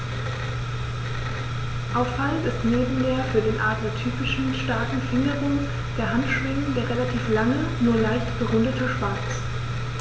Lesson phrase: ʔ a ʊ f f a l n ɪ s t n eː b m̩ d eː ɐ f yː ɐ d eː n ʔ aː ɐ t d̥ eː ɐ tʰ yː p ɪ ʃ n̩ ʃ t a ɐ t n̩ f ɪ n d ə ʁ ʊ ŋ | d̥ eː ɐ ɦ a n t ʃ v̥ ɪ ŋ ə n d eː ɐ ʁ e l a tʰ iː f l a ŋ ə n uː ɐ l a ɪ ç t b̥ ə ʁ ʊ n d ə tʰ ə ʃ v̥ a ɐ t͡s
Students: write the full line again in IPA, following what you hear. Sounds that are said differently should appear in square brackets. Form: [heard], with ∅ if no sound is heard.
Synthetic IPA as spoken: ʔ a ʊ f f a l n ɪ s t n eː b m̩ d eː ɐ f yː ɐ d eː n ʔ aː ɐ t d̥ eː ɐ tʰ yː p ɪ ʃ n̩ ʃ t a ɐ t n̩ f ɪ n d ə ʁ ʊ ŋ | d̥ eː ɐ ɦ a n t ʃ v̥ ɪ ŋ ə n d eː ɐ ʁ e l a tʰ iː f l a ŋ ə n uː ɐ l a ɪ ç t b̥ ə ʁ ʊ n d ə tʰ ə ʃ v̥ a ɐ t͡s